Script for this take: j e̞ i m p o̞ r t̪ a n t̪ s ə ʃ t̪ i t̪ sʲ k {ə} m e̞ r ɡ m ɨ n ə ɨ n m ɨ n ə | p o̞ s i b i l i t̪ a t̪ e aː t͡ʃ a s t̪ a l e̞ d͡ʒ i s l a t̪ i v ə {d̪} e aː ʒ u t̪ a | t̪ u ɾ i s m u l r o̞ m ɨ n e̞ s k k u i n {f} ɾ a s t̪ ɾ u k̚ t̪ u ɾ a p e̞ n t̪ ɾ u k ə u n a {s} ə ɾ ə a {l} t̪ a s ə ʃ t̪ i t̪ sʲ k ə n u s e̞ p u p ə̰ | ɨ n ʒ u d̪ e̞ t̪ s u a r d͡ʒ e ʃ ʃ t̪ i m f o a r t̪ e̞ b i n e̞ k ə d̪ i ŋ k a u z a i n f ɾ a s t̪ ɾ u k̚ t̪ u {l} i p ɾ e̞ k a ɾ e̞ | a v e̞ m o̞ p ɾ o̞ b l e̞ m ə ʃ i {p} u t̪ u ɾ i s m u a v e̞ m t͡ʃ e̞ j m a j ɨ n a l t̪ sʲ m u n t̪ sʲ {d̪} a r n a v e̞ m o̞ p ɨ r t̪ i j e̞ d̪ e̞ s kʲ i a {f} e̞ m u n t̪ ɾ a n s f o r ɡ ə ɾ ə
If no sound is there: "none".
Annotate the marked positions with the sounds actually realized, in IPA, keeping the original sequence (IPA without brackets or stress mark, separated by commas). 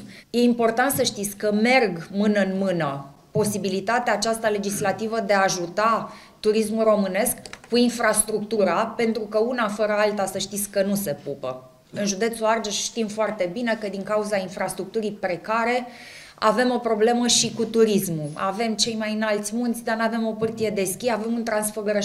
ə, d̪, f, f, l, ɾ, k, d̪, v